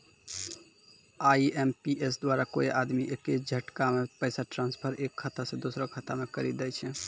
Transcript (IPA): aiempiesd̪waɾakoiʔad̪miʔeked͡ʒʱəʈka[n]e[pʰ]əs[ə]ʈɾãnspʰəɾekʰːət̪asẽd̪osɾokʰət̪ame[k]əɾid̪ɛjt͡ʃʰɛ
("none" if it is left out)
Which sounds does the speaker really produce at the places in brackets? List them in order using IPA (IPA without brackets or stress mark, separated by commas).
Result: m, p, a, k